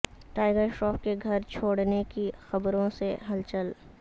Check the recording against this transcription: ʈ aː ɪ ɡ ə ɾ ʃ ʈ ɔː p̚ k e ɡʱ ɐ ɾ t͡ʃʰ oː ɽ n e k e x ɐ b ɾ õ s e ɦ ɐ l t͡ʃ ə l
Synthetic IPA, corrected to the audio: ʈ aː ɪ ɡ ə ɾ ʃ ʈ ɔː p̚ k e ɡʱ ɐ ɾ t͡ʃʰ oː ɽ n e k i x ɐ b ɾ õ s e ɦ ɐ l t͡ʃ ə l